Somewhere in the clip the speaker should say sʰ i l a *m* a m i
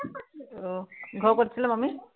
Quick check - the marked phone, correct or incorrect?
correct